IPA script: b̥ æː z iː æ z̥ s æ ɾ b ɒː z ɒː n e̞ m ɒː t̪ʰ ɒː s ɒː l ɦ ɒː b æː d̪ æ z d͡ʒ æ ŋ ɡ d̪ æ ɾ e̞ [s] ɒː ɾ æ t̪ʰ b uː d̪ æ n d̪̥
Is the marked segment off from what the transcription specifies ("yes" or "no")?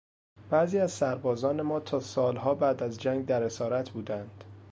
no